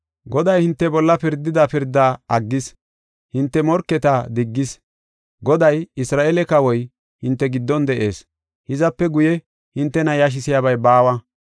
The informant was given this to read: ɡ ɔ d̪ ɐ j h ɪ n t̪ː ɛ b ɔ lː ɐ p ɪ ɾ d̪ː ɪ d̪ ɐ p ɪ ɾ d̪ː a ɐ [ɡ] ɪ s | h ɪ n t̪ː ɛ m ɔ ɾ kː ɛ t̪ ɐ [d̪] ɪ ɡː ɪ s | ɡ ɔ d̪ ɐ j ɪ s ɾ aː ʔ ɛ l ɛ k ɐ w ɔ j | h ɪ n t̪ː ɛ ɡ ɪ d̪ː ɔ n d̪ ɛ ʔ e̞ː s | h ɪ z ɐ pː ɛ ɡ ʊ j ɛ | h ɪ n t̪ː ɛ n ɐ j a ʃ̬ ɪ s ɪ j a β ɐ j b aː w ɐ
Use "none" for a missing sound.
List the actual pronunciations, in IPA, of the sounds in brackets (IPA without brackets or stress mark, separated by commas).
ɡː, d̪